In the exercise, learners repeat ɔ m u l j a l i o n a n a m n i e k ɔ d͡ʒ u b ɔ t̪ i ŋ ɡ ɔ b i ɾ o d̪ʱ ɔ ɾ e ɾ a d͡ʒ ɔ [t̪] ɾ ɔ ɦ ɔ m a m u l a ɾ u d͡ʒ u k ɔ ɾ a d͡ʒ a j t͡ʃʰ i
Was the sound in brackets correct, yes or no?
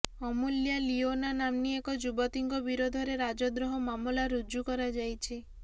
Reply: no